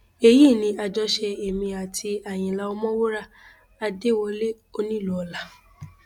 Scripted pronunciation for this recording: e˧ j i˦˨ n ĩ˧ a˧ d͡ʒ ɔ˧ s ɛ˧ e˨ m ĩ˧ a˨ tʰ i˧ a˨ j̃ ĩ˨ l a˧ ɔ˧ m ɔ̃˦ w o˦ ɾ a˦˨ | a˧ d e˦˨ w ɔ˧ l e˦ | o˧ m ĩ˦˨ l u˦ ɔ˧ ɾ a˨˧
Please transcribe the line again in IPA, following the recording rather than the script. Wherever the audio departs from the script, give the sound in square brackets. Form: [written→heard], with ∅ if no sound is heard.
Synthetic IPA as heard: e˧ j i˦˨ n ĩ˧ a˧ d͡ʒ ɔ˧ [s→ʃ] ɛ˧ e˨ m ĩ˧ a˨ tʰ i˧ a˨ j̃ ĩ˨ l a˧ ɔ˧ m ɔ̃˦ w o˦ ɾ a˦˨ | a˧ d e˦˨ w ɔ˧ l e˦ | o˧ [m→n] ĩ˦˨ l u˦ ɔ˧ [ɾ→l] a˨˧